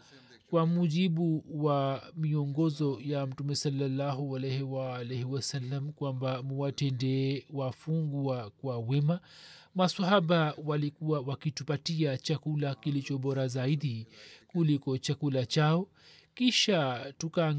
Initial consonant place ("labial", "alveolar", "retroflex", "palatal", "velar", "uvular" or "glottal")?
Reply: velar